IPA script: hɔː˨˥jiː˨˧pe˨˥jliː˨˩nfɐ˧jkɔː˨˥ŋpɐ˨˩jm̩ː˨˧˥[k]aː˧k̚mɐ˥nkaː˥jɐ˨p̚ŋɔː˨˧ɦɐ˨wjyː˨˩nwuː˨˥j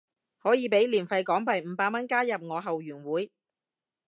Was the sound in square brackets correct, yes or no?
no